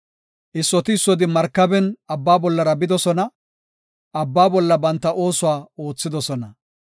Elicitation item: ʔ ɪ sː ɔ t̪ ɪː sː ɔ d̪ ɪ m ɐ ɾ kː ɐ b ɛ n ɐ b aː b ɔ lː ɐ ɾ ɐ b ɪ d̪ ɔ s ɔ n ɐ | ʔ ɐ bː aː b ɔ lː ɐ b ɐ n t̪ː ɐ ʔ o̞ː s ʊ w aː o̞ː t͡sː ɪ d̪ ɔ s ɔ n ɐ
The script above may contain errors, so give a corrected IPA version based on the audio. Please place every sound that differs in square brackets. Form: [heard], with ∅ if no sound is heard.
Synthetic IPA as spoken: ʔ ɪ sː ɔ t̪ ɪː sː ɔ d̪ ɪ m ɐ ɾ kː ɐ b ɛ n ɐ [bː] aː b ɔ lː ɐ ɾ ɐ b ɪ d̪ ɔ s ɔ n ɐ | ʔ ɐ bː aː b ɔ lː ɐ b ɐ n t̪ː ɐ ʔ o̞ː s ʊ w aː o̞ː t͡sː ɪ d̪ ɔ s ɔ n ɐ

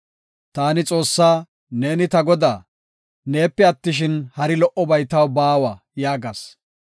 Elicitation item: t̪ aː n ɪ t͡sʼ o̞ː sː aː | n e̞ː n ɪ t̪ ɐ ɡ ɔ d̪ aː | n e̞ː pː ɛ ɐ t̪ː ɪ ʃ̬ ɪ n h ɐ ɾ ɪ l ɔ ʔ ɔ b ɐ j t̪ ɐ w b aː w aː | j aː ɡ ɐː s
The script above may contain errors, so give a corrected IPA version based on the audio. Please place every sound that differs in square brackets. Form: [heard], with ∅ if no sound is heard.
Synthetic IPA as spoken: t̪ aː n ɪ t͡sʼ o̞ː sː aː | n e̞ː n ɪ t̪ ɐ ɡ ɔ d̪ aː | n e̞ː pː ɛ ɐ t̪ː ɪ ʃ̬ ɪ n h ɐ ɾ ɪ l ɔ ʔ ɔ b ɐ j t̪ ɐ w b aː w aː | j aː ɡ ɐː s

